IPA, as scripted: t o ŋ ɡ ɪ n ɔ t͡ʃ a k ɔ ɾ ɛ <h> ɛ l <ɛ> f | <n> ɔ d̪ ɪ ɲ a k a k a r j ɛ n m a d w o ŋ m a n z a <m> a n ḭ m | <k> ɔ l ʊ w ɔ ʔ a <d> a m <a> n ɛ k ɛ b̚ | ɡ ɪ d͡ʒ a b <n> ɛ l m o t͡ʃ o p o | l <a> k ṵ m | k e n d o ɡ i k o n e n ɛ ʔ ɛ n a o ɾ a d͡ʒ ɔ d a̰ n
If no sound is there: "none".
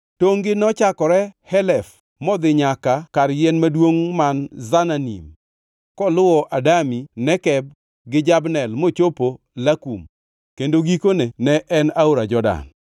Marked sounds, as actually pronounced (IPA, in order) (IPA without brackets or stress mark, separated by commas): h, ɛ, m, n, k, d, i, n, a